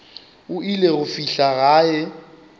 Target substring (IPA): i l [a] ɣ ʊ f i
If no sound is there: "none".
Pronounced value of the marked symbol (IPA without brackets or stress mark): e